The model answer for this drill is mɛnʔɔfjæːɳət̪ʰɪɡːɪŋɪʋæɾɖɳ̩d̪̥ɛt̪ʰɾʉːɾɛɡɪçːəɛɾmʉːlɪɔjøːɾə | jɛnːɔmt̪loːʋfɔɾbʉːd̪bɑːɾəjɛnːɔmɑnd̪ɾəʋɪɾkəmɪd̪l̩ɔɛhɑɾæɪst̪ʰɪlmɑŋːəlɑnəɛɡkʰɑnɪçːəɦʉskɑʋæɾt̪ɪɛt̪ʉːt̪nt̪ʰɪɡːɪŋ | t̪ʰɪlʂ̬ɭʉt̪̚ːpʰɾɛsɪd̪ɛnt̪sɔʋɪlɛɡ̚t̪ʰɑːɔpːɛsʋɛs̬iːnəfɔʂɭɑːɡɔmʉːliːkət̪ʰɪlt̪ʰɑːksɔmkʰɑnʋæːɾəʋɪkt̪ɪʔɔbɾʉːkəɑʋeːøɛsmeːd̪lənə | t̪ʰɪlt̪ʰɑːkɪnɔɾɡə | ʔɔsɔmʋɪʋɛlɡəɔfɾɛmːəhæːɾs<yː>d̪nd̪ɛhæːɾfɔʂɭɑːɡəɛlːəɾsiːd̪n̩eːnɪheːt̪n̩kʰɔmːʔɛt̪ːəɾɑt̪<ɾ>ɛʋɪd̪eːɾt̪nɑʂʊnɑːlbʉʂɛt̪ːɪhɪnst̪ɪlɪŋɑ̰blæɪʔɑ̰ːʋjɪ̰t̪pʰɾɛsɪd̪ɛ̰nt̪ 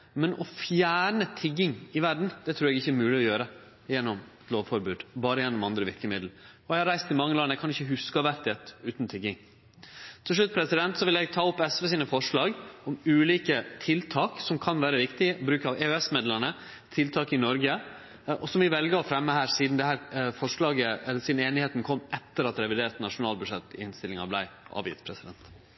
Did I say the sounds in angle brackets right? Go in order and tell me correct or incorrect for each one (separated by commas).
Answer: incorrect, correct